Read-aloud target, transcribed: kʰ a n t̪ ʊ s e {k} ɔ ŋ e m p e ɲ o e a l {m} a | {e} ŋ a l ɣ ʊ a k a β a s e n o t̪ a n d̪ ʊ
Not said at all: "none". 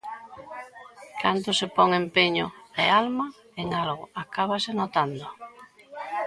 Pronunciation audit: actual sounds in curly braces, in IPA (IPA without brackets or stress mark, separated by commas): p, m, e